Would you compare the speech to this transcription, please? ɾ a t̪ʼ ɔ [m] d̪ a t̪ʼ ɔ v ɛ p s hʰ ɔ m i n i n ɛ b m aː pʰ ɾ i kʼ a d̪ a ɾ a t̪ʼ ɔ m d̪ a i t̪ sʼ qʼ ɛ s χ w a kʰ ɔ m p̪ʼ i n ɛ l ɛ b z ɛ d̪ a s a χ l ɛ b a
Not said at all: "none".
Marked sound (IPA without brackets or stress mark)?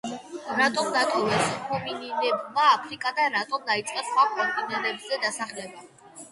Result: m